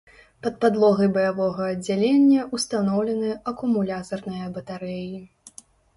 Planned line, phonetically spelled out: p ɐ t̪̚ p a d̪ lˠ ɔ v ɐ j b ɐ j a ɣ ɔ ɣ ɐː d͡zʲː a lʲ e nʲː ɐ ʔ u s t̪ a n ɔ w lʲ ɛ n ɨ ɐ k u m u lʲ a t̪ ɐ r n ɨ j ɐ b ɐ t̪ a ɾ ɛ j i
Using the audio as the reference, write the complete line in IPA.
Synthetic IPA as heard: p ɐ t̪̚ p a d̪ lˠ ɔ ɣ ɐ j b ɐ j a v ɔ ɣ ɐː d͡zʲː a lʲ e nʲː ɐ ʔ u s t̪ a n ɔ w lʲ ɛ n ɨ ɐ k u m u lʲ a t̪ ɐ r n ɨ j ɐ b ɐ t̪ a ɾ ɛ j i